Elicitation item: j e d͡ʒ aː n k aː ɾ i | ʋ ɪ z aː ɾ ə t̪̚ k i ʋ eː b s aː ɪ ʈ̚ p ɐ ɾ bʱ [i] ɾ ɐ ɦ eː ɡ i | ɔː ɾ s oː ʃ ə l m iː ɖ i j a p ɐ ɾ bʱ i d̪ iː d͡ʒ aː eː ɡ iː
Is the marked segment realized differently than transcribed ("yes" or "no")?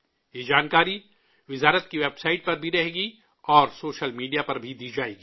no